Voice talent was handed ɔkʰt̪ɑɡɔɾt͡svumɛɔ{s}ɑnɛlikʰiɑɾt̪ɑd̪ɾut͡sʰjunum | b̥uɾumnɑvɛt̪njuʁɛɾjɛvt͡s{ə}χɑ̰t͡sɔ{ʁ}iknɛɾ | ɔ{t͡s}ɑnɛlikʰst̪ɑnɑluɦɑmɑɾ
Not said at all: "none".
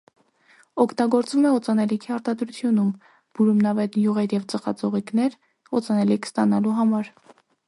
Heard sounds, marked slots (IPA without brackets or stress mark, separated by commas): t͡s, ə, ʁ, t͡s